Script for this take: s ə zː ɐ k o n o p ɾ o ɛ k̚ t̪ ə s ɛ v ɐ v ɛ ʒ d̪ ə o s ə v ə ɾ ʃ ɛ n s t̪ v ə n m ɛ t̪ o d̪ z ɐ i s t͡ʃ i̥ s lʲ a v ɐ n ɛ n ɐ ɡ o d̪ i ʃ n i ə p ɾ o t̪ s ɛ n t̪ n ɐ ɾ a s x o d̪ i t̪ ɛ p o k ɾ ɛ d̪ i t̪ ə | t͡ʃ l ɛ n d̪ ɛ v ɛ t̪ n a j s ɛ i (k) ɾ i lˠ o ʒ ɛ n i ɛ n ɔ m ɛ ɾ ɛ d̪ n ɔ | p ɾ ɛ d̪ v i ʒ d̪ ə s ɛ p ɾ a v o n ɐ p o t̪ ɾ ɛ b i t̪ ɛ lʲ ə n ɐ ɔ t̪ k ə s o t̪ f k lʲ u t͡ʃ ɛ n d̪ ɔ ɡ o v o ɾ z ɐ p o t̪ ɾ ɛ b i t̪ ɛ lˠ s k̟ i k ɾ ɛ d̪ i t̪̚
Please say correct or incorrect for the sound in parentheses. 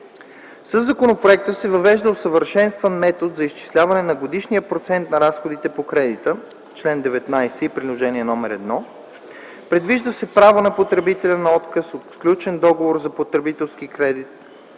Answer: incorrect: p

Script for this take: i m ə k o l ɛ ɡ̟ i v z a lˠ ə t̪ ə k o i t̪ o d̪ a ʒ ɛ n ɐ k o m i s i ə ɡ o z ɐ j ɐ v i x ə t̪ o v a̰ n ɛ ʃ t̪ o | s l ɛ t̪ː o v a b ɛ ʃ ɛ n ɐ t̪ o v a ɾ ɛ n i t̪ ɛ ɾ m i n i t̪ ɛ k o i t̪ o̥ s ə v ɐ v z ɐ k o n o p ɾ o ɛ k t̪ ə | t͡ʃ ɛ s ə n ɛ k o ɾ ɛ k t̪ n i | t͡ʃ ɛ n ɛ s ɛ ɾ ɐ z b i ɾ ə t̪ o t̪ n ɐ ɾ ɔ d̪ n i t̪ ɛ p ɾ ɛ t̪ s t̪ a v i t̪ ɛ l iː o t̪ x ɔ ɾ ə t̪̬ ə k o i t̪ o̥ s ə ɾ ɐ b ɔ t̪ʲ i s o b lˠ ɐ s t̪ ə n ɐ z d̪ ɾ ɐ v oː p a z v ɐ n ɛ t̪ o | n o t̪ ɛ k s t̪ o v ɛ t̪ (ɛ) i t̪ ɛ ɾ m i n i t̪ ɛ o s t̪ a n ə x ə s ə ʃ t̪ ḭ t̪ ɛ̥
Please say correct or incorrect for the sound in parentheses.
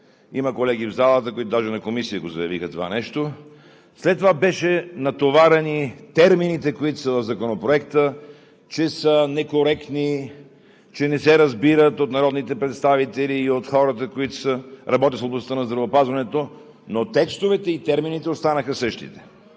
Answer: correct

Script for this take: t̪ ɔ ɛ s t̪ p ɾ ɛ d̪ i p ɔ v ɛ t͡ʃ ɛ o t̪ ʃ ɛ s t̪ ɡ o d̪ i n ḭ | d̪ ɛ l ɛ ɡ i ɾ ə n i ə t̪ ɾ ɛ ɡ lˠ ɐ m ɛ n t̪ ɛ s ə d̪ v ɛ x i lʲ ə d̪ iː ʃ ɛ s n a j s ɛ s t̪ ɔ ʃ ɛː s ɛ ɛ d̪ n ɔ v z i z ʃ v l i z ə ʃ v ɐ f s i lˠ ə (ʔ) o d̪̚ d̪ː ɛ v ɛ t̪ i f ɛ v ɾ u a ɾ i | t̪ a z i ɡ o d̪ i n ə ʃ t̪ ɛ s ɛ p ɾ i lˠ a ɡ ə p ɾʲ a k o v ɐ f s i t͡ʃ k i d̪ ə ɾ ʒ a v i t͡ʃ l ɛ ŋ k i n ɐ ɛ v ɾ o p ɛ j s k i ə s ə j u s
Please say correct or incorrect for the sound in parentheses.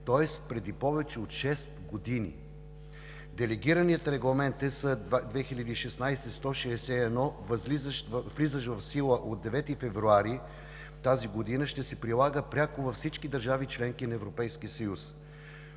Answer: correct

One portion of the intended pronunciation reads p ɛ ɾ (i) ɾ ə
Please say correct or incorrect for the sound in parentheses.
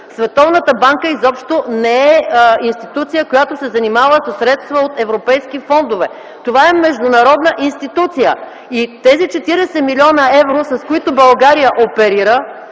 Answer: correct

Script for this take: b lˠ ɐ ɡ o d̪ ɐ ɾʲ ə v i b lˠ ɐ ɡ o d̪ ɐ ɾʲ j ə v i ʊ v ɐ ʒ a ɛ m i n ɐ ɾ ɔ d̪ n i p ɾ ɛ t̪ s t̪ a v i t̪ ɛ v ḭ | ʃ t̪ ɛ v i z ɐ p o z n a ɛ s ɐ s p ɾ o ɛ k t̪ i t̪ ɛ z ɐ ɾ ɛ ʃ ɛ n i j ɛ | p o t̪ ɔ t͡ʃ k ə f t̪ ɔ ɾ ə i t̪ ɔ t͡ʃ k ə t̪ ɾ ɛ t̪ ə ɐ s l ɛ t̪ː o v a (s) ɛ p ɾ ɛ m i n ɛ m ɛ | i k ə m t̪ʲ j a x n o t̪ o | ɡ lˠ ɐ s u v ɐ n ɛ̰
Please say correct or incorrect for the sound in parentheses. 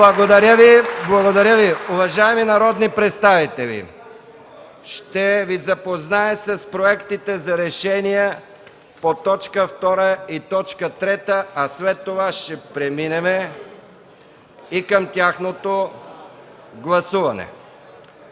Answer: incorrect: ʃ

